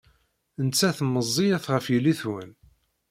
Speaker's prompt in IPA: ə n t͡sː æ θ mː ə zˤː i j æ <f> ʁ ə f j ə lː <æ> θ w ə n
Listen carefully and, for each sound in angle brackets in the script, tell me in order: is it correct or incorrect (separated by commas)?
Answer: incorrect, incorrect